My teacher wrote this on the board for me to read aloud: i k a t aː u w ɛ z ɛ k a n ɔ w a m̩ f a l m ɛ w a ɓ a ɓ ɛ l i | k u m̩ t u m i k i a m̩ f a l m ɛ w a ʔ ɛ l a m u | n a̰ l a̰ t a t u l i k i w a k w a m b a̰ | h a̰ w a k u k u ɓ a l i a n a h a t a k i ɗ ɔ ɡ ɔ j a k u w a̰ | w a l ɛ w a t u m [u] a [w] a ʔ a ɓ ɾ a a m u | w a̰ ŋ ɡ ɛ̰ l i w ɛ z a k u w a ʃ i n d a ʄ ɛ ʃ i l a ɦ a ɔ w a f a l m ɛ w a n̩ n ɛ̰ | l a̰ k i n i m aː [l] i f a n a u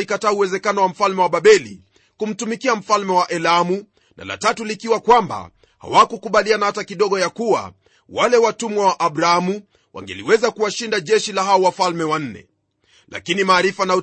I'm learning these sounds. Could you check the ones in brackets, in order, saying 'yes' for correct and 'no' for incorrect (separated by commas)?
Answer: no, yes, no